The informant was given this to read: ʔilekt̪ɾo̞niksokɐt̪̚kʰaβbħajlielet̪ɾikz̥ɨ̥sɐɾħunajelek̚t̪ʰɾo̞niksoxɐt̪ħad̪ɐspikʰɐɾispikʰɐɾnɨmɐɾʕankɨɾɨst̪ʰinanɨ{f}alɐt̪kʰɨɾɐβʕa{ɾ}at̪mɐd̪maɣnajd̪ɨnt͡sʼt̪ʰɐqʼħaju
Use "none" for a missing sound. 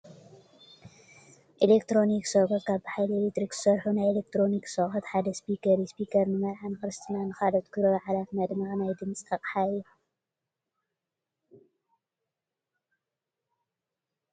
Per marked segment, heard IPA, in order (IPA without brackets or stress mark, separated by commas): x, l